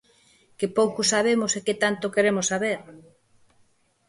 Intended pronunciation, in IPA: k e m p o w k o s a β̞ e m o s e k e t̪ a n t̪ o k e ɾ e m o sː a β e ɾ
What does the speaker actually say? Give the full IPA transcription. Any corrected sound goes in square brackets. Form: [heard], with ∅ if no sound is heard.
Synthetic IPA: k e [∅] p o w k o s a β̞ e m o s e k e t̪ a n t̪ o k e ɾ e m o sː a β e ɾ